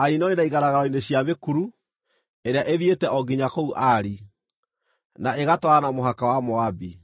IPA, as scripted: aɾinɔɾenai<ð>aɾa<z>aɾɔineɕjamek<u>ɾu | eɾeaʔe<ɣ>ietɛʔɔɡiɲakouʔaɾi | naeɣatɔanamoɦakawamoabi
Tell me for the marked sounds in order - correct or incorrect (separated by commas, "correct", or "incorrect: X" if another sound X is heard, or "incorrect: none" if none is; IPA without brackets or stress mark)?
incorrect: ɣ, incorrect: ɣ, correct, incorrect: ð